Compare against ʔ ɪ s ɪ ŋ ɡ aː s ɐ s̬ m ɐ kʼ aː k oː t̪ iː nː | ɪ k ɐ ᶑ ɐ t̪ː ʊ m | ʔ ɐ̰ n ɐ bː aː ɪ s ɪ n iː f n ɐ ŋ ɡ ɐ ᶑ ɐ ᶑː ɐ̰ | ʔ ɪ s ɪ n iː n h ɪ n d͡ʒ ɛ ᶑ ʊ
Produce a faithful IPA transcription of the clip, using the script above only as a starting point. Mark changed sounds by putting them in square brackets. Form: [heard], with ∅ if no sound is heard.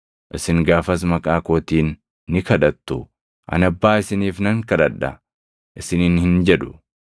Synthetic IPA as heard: ʔ ɪ s ɪ ŋ ɡ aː [f] ɐ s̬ m ɐ kʼ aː k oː t̪ iː nː | ɪ k ɐ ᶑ ɐ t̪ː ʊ [∅] | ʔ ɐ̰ n ɐ bː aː ɪ s ɪ n iː f n ɐ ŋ [k] ɐ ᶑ ɐ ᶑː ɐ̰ | ʔ ɪ s ɪ n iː n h ɪ n d͡ʒ ɛ ᶑ ʊ